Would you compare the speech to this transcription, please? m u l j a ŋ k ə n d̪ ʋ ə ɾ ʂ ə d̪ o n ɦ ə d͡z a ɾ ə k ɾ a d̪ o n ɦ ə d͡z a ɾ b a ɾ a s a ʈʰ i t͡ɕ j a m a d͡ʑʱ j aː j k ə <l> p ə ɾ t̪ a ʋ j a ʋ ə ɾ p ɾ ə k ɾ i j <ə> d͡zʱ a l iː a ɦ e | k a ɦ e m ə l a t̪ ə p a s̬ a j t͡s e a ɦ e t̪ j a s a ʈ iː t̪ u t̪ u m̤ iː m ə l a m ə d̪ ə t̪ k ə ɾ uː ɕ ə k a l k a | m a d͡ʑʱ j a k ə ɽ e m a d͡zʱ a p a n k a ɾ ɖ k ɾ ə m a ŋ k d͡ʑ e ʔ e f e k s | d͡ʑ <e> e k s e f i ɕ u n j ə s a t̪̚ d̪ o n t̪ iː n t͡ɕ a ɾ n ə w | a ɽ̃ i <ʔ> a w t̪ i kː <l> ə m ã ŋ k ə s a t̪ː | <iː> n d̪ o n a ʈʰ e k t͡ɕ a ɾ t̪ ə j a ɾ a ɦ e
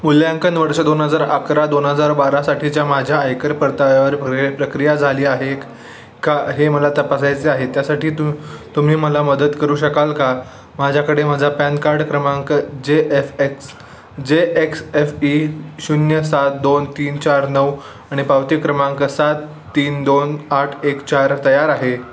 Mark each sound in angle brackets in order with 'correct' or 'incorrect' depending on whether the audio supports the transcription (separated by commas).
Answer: incorrect, incorrect, correct, incorrect, incorrect, correct